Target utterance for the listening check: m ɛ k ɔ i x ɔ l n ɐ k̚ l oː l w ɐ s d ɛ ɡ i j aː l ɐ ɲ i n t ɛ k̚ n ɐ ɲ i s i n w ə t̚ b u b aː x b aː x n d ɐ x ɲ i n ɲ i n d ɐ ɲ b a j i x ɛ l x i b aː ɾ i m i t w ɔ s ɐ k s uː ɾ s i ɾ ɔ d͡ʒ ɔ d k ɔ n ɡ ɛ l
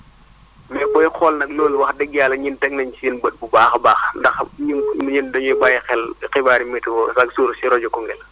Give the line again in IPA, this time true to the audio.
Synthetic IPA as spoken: m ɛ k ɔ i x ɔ l n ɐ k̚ l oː l w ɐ x d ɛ ɡ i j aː l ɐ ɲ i n t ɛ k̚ n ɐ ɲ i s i n b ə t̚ b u b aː x b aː x n d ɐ x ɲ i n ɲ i n d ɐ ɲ b a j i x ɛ l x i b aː ɾ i m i t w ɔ s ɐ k s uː ɾ s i ɾ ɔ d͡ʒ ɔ k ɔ ŋ ɡ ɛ l

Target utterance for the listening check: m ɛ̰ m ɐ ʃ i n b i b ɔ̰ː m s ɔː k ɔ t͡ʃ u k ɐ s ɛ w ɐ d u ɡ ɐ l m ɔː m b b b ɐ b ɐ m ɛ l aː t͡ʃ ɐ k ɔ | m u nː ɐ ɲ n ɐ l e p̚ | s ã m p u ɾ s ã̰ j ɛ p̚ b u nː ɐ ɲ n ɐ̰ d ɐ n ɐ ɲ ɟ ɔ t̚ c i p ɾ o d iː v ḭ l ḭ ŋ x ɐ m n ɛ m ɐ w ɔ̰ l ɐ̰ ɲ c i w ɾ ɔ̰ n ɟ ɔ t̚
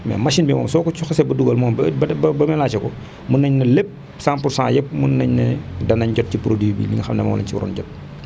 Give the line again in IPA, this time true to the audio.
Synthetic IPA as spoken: m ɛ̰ m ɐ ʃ i n b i m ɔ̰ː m s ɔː k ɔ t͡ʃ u x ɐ s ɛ b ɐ d u ɡ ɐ l m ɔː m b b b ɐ b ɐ m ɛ l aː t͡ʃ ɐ k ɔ | m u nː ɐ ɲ n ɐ l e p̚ | s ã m p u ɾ s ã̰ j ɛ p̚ m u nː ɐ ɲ n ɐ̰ d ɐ n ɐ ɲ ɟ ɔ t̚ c i p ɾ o d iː b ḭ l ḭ ŋ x ɐ m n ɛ m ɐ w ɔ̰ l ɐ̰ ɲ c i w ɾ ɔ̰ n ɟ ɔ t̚

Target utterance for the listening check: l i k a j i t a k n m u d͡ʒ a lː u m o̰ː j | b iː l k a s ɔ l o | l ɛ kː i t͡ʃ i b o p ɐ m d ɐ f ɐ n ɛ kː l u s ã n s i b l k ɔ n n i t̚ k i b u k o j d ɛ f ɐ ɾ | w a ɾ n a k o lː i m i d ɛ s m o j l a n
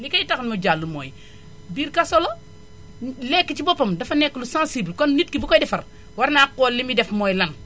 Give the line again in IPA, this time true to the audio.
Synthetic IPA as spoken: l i k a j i t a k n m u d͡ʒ a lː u m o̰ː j | b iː ɾ k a s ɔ l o | l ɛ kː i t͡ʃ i b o p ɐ m d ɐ f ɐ n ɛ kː l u s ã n s i b l k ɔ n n i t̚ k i b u k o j d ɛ f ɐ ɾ | w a ɾ n a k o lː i m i d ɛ f m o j l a n

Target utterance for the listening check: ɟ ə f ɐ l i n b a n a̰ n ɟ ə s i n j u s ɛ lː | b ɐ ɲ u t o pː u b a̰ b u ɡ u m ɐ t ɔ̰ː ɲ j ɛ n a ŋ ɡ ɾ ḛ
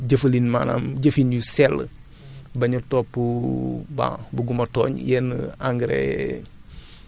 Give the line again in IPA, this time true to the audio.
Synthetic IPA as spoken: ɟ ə f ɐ l i n m a n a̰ m ɟ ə f i n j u s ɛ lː | b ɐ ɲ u t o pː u b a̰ b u ɡ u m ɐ t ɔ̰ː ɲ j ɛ n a ŋ ɡ ɾ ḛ

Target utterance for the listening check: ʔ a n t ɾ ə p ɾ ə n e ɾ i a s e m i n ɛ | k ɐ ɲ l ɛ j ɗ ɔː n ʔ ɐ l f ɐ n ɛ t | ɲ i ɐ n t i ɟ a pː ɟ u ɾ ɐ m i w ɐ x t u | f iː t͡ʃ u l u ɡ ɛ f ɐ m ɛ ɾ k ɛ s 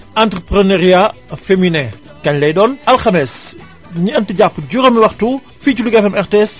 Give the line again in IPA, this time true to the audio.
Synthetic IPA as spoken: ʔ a n t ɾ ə p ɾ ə n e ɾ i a f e m i n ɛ | k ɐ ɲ l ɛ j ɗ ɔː n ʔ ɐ l x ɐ m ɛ s | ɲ i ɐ n t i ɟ a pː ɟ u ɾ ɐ m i w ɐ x t u | f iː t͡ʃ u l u ɡ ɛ f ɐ m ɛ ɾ t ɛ s

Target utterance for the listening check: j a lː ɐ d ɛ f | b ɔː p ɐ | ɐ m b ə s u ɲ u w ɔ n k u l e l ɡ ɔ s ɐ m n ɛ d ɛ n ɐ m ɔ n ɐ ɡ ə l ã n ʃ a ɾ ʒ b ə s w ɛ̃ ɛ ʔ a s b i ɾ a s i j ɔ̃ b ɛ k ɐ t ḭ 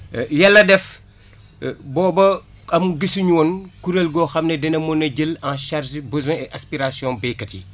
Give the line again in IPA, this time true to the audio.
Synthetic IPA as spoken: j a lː ɐ d ɛ f | b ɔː b ɐ | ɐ m ɡ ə s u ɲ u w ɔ n k u ɾ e l ɡ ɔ x ɐ m n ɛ d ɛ n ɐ m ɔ n ɐ ɟ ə l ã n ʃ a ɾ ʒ b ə z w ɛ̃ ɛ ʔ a s p i ɾ a s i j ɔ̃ b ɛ k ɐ t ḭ

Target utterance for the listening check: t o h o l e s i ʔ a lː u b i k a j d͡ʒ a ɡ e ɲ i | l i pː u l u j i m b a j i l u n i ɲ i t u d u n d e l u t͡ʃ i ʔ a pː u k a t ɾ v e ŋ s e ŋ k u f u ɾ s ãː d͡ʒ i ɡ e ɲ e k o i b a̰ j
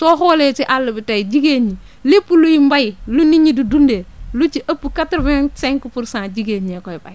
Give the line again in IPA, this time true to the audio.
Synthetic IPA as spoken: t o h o l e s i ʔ a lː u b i t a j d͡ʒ i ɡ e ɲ i | l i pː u l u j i m b a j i l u n i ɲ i d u d u n d e l u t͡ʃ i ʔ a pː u k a t ɾ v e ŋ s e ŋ k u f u ɾ s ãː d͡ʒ i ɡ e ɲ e k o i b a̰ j

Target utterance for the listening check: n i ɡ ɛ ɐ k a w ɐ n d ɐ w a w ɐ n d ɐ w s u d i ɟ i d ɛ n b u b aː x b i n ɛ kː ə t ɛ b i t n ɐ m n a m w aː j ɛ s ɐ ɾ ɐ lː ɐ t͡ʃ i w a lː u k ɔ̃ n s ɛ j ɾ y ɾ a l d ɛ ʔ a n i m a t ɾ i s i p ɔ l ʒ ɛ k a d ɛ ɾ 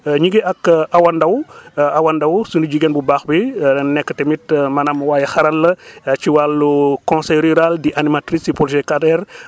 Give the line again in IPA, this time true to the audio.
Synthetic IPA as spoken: ɲ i ɡ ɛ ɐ k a w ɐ n d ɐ w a w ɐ n d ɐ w s u n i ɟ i ɡ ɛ n b u b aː x b i n ɛ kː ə t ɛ m i t m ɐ n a m w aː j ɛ x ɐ ɾ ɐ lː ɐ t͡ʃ i w a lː u k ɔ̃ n s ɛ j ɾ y ɾ a l d i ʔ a n i m a t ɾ i s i p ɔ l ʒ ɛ k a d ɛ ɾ

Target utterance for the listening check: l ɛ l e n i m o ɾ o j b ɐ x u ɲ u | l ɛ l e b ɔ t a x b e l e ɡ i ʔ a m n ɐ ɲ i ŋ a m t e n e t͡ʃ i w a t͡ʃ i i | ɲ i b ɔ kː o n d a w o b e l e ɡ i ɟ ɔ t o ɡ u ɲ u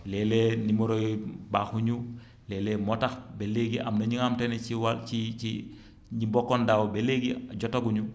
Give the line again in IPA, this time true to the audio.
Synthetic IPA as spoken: l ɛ l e n i m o ɾ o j b a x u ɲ u | l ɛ l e m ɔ t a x b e l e ɡ i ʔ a m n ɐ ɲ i ŋ a m t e n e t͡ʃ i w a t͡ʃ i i | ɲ i b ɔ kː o n d a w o b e l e ɡ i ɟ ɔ t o ɡ u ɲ u

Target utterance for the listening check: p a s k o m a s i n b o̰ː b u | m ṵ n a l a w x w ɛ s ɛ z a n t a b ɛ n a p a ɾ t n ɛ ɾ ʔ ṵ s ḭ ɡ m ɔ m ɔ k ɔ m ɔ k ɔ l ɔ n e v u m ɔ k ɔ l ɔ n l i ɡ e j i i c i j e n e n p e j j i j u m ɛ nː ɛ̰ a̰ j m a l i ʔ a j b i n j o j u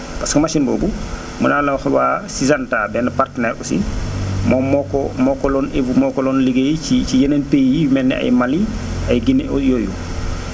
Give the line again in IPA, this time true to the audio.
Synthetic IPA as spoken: p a s k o m a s i n b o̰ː b u | m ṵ n a l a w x w a s i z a n t a b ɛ n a p a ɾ t n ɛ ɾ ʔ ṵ s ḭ m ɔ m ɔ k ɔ m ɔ k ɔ l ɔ n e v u m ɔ k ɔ l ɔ n l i ɡ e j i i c i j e n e n p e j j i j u m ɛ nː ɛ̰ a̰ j m a l i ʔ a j ɡ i n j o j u

